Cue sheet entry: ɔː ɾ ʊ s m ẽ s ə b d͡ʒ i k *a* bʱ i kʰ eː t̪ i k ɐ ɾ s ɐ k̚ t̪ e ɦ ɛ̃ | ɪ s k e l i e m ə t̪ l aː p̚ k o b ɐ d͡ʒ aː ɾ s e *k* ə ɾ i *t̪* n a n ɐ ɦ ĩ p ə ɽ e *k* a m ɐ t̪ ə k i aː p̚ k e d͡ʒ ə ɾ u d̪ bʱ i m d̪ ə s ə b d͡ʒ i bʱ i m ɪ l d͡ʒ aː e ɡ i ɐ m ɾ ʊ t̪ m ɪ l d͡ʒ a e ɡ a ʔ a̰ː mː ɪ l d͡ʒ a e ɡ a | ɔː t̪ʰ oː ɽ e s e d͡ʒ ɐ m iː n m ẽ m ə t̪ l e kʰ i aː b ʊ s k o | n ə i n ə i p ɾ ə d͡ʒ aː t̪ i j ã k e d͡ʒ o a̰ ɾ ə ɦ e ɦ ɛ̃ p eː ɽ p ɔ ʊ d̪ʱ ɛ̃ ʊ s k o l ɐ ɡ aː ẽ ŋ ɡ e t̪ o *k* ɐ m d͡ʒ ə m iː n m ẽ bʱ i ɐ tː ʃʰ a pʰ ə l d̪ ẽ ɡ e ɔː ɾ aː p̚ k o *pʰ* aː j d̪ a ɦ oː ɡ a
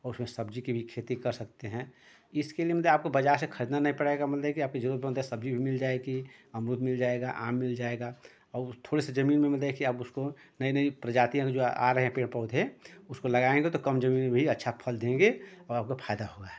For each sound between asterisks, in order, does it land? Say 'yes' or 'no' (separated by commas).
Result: no, no, no, no, yes, yes